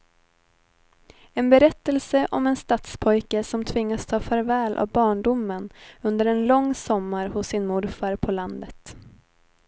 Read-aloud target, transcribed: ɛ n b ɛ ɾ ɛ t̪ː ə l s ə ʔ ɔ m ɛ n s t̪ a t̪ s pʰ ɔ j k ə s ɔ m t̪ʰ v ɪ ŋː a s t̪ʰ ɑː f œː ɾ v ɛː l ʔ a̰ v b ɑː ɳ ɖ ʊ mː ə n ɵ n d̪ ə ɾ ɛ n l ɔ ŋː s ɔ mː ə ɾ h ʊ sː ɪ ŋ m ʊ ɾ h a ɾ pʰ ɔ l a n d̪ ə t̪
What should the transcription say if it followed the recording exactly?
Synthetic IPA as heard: ɛ n b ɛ ɾ ɛ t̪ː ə l s ə ʔ ɔ m ɛ n s t̪ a t̪ s pʰ ɔ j k ə s ɔ m t̪ʰ v ɪ ŋː a s t̪ʰ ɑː f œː ɾ v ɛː l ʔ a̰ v b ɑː ɳ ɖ ʊ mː ə n ɵ n d̪ ə ɾ ɛ n l ɔ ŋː s ɔ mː a ɾ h ʊ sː ɪ n m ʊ ɾ f a ɾ pʰ ɔ l a n d̪ ə t̪

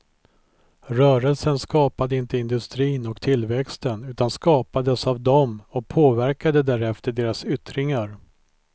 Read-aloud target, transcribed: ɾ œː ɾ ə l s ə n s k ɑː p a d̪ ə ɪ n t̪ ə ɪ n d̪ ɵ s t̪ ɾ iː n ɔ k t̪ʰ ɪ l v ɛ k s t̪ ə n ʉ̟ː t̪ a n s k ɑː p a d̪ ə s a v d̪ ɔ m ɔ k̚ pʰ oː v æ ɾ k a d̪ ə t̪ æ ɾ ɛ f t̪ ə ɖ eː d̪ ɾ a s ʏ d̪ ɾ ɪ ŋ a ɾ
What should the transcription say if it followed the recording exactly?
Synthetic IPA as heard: ɾ œː ɾ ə l s ə n s k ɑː p a d̪ ə ɪ n t̪ ə ɪ n d̪ ɵ s t̪ ɾ iː n ɔ k t̪ʰ ɪ l v ɛ k s t̪ ə n ʉ̟ː t̪ a n s k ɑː p a d̪ ə s a v d̪ ɔ m ɔ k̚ pʰ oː v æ ɾ k a d̪ ə d̪ æ ɾ ɛ f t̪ ə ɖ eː ɾ a s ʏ t̪ ɾ ɪ ŋ a ɾ

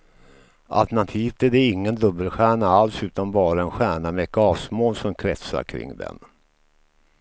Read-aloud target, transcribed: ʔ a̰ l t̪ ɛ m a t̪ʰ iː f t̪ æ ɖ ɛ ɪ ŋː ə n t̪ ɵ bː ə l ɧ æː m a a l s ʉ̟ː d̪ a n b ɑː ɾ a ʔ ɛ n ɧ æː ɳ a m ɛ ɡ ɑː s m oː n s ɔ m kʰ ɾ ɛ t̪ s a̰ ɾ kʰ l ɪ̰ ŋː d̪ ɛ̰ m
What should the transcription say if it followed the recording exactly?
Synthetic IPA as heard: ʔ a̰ l t̪ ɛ ɳ a t̪ʰ iː f t̪ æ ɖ ɛ ɪ ŋː ə n d̪ ɵ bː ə l ɧ æː ɳ a a l s ʉ̟ː t̪ a n b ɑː ɾ a ɛ n ɧ æː ɳ a m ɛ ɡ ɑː s m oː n s ɔ m kʰ ɾ ɛ t̪ s a̰ ɾ kʰ ɾ ɪ̰ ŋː d̪ ɛ̰ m

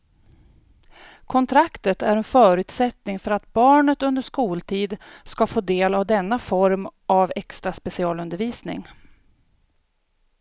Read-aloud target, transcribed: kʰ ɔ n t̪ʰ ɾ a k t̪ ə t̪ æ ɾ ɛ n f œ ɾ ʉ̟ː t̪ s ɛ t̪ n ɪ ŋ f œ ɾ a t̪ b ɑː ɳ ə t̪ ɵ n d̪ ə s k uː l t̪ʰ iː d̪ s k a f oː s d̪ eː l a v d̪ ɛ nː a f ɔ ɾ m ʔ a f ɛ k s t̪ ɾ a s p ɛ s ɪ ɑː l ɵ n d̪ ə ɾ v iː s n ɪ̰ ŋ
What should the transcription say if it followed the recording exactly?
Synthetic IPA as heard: kʰ ɔ n t̪ʰ ɾ a k t̪ ə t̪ æ ɾ ɛ n f œː ɾ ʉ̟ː t̪ s ɛ t̪ n ɪ ŋ f œ ɾ a t̪ b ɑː ɳ ə t̪ ɵ n d̪ ə ʂ k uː l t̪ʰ iː d̪ s k a f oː d̪ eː l a v d̪ ɛ nː a f ɔ ɾ m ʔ a v ɛ k s t̪ ɾ a s p ɛ s ɪ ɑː l ɵ n d̪ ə ɾ v iː s n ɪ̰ ŋ

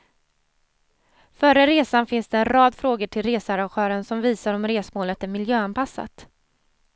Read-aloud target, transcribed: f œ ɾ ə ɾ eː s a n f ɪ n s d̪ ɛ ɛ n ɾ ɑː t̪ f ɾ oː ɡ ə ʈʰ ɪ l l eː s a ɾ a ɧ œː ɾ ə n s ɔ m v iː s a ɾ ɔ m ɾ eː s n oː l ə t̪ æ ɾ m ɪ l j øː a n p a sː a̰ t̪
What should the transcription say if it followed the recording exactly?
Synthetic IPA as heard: f œ ɾ ə ɾ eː s a n f ɪ n s d̪ ɛ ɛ n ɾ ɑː d̪ f ɾ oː ɡ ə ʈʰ ɪ l ɾ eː s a ɾ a ɧ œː ɾ ə n s ɔ m v iː s a ɾ ɔ m ɾ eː s m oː l ə t̪ æ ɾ m ɪ l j øː a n p a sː a̰ t̪

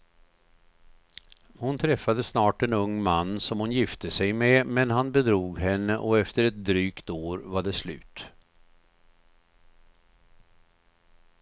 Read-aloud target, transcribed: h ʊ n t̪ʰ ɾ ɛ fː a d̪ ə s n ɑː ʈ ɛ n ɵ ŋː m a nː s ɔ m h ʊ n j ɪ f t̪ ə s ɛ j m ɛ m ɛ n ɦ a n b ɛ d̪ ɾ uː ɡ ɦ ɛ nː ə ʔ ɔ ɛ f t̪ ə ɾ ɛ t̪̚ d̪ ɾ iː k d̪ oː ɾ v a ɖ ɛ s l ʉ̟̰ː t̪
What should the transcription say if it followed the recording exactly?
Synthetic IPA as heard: h ʊ n t̪ʰ ɾ ɛ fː a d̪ ə s n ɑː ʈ ɛ n ɵ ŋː m a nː s ɔ m h ʊ n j ɪ f t̪ ə s ɛ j m ɛ m ɛ n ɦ a n b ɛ d̪ ɾ uː ɡ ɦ ɛ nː ə ʔ ɔ ɛ f t̪ ə ɾ ɛ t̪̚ d̪ ɾ yː k t̪ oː ɾ v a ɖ ɛ s l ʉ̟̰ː t̪

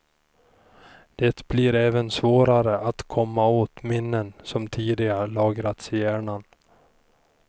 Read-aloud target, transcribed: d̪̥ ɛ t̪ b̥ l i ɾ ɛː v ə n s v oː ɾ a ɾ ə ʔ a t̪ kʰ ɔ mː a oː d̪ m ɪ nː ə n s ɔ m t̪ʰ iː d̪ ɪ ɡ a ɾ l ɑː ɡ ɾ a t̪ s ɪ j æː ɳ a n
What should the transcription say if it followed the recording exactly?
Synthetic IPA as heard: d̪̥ ɛ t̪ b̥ l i ɾ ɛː v ə n s v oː ɾ a ɾ ə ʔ a t̪ kʰ ɔ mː a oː t̪ m ɪ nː ə n s ɔ m t̪ʰ iː d̪ ɪ ɡ a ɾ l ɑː ɡ ɾ a t̪ s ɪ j æː ɳ a n

